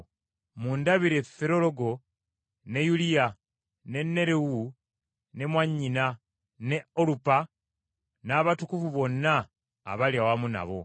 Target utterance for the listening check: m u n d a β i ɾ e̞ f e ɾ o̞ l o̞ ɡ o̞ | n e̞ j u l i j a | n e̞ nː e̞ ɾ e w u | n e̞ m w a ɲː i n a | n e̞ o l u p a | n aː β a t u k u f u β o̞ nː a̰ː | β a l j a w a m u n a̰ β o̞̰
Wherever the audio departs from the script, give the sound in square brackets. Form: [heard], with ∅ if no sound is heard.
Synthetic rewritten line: m u n d a β i ɾ e̞ f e ɾ o̞ l o̞ ɡ o̞ | n e̞ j u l i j a | n e̞ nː e̞ ɾ e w u | n e̞ m w a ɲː i n a | n e̞ o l u p a | n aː β a t u k u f u β o̞ nː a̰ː | β a l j a w a m u n a̰ β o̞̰

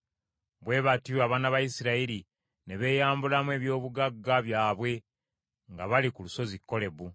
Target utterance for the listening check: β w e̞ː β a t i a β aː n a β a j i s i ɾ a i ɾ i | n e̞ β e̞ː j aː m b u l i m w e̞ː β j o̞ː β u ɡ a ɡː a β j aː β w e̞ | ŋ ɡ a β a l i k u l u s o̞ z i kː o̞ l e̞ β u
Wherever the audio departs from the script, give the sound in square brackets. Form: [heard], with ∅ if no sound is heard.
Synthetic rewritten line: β w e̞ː β a t i a β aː n a β a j i s i ɾ a i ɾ i | n e̞ β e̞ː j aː m b u l [a] m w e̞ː β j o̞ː β u ɡ a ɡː a β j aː β w e̞ | ŋ ɡ a β a l i k u l u s o̞ z i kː o̞ l e̞ β u

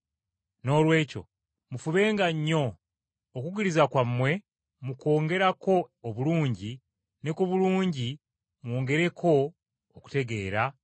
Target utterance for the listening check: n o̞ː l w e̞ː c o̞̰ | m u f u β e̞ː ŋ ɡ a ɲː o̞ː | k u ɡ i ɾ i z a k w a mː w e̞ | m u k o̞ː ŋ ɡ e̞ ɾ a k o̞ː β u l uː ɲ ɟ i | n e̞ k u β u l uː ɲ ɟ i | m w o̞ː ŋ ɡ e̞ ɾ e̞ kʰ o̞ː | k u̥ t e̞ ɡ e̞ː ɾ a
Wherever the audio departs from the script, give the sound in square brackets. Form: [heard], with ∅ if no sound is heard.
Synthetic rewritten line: n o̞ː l w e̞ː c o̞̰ | m u f u β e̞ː ŋ ɡ a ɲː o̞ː | k u ɡ i ɾ i z a k w a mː w e̞ | m u k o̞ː ŋ ɡ e̞ ɾ a k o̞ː β u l uː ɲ ɟ i | n e̞ k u β u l uː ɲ ɟ i | m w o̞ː ŋ ɡ e̞ ɾ e̞ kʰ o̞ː | k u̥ t e̞ ɡ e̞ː ɾ a

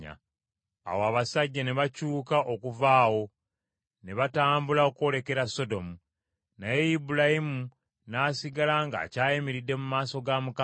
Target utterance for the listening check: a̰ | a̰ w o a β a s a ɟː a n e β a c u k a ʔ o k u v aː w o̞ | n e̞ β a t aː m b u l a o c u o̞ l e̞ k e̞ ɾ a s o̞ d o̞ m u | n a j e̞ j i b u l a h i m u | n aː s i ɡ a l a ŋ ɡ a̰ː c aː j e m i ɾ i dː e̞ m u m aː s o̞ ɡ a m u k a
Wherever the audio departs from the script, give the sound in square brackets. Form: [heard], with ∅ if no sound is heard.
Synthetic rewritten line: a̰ | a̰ w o a β a s a ɟː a n e β a c [uː] k a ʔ o k u v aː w o̞ | n e̞ β a t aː m b u l a o [k] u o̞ l e̞ k e̞ ɾ a s o̞ d o̞ m u | n a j e̞ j i b u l a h i m u | n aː s i ɡ a l a ŋ ɡ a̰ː c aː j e m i ɾ i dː e̞ m u m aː s o̞ ɡ a m u k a

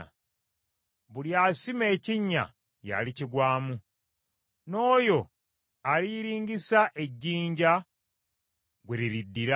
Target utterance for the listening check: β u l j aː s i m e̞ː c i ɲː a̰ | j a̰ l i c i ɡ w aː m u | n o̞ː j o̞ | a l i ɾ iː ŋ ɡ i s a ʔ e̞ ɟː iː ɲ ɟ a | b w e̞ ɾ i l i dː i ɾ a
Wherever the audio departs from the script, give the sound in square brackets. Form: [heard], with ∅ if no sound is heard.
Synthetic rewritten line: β u l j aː s i m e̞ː c i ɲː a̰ | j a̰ l i c i ɡ w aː m u | n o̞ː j o̞ | a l i ɾ iː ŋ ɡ i s a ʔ e̞ ɟː iː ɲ ɟ a | [ɡ] w e̞ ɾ i [ɾ] i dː i ɾ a

